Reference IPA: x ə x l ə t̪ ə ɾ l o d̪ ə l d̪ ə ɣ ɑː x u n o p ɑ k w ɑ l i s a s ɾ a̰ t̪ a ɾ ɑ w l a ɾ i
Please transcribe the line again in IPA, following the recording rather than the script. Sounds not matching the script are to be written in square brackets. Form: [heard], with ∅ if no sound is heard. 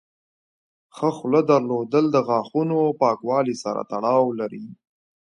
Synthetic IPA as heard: x ə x l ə [d̪] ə ɾ l o d̪ ə l d̪ ə ɣ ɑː x u n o p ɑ k w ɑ l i s a [∅] ɾ a̰ t̪ a [ɽ] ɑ w l a ɾ i